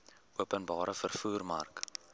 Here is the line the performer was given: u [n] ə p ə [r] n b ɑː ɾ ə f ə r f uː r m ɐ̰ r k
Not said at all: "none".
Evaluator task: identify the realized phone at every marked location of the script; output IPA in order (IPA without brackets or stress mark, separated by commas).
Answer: none, none